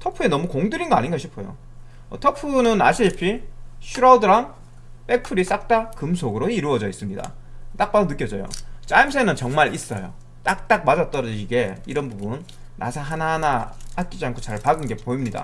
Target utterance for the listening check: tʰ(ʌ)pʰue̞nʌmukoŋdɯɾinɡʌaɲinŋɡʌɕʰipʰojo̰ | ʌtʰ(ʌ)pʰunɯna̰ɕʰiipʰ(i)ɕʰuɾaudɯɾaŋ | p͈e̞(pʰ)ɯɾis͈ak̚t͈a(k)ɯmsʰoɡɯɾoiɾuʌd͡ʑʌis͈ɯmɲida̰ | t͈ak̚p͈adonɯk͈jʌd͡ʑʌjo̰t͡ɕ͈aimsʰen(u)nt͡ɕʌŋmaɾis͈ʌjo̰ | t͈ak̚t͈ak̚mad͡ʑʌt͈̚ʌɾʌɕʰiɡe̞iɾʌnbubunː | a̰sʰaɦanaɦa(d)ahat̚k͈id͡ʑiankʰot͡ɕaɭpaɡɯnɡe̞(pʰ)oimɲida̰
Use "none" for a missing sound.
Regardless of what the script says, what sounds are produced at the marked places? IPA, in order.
ʌ, ʌ, i, pʰ, k, ɯ, n, p

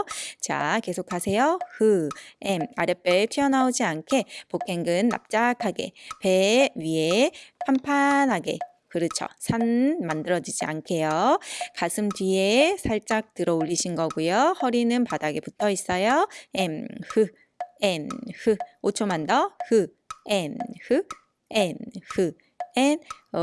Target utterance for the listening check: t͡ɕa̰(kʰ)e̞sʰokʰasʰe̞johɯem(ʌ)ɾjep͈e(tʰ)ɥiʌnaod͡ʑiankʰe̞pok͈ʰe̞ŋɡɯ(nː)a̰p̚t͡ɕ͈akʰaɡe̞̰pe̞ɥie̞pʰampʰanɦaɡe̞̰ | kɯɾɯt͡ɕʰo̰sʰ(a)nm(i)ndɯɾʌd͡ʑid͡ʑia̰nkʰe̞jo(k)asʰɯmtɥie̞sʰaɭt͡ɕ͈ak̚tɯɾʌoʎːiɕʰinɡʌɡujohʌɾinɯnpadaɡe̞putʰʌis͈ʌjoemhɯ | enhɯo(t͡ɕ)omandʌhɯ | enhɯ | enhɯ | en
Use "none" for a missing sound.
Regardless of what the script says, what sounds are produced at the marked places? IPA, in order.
k, a, tʰ, nː, a, a, k, t͡ɕʰ

